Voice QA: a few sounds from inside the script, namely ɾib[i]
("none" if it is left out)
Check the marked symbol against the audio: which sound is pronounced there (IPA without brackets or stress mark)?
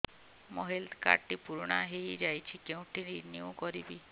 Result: i